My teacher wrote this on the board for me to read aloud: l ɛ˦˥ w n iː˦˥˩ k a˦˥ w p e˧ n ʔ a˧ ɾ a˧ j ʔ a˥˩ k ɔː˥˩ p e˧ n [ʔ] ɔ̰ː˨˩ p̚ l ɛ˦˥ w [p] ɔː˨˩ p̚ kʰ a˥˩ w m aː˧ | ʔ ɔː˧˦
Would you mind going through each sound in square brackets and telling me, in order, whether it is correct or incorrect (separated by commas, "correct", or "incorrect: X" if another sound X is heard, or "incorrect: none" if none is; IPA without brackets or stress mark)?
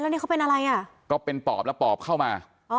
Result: incorrect: p, correct